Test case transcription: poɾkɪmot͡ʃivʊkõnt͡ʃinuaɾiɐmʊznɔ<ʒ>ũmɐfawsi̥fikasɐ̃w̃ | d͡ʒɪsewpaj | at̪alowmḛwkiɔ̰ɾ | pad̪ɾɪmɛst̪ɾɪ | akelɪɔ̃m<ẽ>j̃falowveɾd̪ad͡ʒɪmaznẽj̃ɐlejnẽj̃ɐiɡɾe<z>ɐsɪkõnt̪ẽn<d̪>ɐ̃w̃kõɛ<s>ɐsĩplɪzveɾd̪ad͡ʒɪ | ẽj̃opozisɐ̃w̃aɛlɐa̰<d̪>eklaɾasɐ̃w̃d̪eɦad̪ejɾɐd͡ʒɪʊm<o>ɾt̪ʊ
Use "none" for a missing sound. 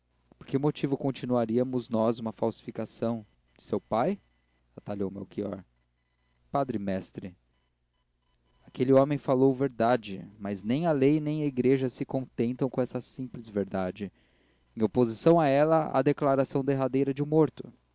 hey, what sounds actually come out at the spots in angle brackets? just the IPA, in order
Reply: z, ẽ, ʒ, t̪, s, d̪, o

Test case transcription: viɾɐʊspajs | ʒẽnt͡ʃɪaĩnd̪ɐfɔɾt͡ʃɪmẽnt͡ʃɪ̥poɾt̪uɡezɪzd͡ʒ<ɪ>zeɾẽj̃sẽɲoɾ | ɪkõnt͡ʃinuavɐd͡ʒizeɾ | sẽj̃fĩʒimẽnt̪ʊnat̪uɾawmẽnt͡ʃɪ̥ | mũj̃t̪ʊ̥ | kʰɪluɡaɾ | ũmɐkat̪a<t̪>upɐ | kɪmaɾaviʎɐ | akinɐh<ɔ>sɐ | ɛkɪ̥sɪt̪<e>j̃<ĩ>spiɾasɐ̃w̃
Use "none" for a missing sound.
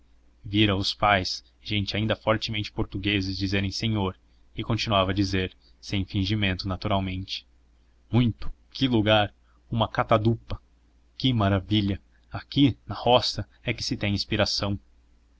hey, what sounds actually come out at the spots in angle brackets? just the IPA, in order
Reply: i, d̪, ɔ, ẽ, ĩ

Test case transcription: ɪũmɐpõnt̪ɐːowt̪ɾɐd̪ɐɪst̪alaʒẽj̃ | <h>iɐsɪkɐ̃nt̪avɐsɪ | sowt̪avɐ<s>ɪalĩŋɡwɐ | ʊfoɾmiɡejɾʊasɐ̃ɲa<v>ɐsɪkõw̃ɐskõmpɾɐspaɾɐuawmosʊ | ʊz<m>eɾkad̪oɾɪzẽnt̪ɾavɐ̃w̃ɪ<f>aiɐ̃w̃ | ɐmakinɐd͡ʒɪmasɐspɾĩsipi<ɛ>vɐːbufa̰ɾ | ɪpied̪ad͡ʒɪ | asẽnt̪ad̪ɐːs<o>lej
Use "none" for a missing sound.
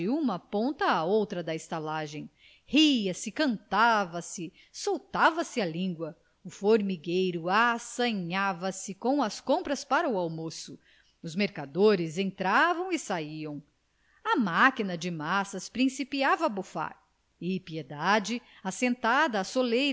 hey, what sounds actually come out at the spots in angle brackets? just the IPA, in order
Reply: h, s, v, m, s, a, o

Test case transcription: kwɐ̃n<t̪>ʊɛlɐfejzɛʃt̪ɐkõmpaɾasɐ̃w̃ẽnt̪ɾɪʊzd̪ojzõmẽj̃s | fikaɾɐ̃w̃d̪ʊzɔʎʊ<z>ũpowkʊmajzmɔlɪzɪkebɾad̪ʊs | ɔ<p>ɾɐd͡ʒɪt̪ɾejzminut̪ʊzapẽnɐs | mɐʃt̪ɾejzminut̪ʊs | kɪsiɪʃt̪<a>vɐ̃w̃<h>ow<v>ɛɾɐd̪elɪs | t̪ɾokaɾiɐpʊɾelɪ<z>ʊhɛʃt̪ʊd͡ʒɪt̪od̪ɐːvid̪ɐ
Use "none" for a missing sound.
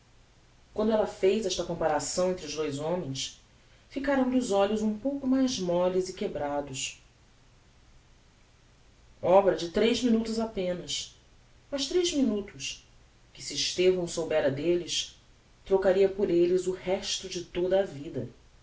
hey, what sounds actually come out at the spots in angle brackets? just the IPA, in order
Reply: d̪, z, b, e, s, b, z

